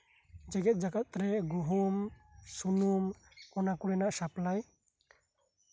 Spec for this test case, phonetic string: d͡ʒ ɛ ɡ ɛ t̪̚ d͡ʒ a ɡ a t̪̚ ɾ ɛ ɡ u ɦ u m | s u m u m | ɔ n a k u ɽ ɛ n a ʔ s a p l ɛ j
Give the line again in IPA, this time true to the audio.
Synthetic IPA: d͡ʒ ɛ ɡ ɛ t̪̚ d͡ʒ a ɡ a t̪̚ ɾ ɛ ɡ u ɦ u m | s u n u m | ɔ n a k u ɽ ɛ n a ʔ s a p l a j